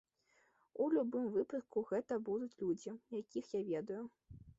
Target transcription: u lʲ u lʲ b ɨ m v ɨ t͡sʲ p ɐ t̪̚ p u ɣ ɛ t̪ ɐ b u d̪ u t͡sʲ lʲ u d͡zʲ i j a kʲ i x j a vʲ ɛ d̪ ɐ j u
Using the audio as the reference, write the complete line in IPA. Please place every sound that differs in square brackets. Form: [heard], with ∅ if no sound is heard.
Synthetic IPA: u lʲ u [∅] b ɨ m v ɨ [∅] p ɐ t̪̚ [k] u ɣ ɛ t̪ ɐ b u d̪ u t͡sʲ lʲ u d͡zʲ i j a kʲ i x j a vʲ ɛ d̪ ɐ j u